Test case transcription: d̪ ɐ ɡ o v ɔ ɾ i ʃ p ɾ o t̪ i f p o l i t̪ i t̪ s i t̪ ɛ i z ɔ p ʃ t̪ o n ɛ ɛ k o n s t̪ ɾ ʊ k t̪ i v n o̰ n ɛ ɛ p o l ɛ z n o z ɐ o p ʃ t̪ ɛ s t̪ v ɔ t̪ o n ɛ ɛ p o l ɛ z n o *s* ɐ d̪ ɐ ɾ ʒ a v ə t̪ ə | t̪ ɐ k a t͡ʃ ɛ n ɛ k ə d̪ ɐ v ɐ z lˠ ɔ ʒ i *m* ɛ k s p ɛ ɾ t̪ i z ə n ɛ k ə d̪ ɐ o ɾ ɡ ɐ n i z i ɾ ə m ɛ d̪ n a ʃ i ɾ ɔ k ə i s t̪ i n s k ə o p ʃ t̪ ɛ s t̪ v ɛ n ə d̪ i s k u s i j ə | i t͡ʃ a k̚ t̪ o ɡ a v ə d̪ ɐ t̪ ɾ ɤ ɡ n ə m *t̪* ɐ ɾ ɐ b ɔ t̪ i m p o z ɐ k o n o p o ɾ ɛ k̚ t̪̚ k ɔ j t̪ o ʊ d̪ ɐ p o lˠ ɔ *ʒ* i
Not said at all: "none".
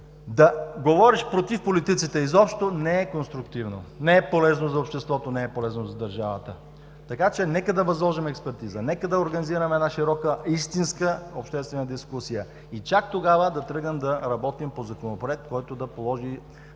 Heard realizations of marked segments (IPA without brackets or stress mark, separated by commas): z, m, d̪, ʒ